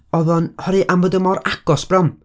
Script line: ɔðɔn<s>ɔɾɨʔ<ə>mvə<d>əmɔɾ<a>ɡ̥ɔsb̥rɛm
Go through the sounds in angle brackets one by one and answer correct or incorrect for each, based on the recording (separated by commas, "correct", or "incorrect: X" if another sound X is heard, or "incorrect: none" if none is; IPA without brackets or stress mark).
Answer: incorrect: h, incorrect: a, correct, correct